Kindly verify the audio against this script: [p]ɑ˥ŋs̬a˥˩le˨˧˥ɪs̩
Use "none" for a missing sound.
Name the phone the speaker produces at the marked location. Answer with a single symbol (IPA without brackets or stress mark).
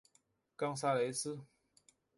k